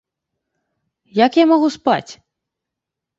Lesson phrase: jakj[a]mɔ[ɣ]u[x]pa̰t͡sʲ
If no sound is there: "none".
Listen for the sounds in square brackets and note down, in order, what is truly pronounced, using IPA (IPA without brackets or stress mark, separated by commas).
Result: a, ɣ, s